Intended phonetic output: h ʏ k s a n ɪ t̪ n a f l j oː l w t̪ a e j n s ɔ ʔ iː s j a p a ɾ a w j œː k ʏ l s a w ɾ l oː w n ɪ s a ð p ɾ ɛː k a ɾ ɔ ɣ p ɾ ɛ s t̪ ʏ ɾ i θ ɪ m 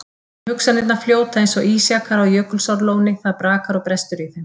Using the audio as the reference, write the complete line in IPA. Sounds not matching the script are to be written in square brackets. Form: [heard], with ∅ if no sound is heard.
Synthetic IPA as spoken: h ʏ k s a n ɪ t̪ n a f l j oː [∅] w t̪ a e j n s ɔ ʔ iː s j a [k] a ɾ a w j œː k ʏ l s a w ɾ l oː w n ɪ [θ] a ð p ɾ [aː] k a ɾ ɔ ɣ p ɾ ɛ s t̪ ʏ ɾ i θ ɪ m